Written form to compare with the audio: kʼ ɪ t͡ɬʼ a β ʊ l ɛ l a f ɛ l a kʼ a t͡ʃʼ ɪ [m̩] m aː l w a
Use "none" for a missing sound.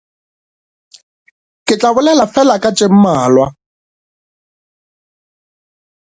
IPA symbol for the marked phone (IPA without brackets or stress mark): m̩